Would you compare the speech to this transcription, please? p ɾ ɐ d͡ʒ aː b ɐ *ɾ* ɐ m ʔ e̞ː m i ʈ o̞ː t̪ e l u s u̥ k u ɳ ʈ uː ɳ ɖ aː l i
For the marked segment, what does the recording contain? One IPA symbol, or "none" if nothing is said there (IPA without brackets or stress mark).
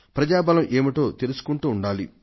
l